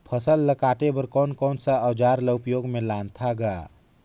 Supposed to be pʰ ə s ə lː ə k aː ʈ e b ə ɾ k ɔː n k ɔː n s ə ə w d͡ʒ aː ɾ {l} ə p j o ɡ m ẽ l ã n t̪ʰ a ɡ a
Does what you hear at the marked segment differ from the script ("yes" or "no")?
no